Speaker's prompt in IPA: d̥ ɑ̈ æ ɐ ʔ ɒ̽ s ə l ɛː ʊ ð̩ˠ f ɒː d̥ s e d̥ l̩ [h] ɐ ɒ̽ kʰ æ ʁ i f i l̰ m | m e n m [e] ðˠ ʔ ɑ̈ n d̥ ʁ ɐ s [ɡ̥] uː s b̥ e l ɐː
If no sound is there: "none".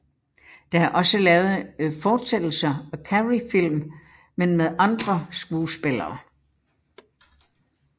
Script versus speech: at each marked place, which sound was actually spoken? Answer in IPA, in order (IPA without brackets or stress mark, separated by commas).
s, e, ɡ̥